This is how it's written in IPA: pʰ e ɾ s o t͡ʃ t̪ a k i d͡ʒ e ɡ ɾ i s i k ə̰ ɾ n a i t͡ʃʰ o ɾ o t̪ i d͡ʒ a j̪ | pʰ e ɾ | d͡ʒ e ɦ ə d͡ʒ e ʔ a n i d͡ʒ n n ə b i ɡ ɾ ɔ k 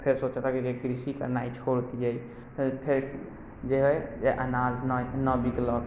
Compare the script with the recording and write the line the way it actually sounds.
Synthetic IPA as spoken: pʰ e ɾ s o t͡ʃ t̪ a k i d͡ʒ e ɡ ɾ i s i k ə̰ ɾ n a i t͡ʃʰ o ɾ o t̪ i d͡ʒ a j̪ | pʰ e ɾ | d͡ʒ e ɦ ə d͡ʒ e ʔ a n a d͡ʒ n n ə b i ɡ l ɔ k